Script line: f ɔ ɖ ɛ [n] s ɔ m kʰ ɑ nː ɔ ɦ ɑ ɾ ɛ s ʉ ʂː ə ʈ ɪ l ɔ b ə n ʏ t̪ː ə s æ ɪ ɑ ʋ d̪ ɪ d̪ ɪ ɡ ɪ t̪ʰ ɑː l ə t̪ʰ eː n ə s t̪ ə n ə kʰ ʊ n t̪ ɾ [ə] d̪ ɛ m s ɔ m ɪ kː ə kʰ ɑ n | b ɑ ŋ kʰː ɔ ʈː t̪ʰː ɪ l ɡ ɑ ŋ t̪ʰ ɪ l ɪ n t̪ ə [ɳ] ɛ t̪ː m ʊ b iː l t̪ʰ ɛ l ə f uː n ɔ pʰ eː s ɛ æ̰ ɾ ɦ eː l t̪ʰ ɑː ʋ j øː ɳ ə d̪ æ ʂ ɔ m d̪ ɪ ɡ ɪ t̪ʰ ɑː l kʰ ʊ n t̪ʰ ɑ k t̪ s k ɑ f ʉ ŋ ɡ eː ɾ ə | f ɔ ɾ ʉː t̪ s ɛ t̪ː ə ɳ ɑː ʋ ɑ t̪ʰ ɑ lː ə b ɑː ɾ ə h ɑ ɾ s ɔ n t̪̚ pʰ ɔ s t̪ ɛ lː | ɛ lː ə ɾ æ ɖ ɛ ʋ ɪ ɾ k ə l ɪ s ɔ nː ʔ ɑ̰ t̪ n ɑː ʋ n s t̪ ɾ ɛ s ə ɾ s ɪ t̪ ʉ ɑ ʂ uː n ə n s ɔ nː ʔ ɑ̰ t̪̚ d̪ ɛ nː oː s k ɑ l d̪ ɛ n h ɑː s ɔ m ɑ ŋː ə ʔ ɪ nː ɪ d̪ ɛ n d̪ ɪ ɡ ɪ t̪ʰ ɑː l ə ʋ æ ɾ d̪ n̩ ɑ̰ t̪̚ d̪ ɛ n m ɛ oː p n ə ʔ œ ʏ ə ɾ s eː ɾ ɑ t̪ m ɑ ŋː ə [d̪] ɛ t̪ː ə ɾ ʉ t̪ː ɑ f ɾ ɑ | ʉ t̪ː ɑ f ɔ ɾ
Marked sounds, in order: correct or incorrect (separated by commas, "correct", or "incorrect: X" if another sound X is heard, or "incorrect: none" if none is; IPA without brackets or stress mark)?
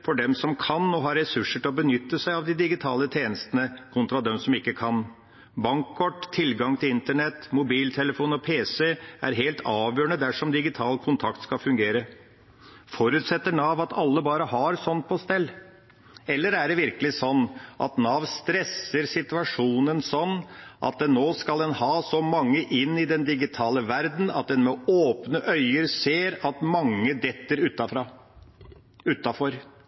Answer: incorrect: m, incorrect: ɑ, correct, correct